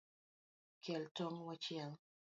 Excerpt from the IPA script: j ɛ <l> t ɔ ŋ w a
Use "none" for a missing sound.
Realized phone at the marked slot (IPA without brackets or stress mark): l